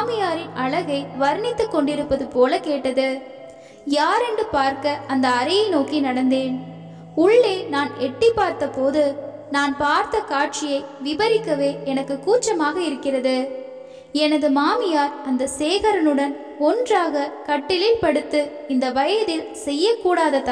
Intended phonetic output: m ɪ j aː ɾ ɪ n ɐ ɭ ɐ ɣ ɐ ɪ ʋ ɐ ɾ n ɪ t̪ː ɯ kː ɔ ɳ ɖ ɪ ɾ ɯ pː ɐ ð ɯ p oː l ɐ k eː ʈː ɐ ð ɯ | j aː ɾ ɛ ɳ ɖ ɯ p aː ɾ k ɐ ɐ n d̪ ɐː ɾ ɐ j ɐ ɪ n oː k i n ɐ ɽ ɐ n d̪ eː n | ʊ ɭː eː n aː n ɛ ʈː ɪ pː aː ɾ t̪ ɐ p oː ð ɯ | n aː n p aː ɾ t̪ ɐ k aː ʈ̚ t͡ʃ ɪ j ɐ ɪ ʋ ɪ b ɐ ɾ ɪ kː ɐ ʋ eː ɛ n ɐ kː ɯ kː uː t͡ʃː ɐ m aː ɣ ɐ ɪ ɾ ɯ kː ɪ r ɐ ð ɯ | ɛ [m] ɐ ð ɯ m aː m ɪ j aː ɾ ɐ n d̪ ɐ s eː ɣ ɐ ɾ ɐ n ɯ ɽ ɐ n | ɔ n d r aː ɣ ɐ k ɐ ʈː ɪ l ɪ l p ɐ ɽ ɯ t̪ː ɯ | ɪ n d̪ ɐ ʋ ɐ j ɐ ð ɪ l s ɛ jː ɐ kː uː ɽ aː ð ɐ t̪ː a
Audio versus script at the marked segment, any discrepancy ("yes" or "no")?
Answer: yes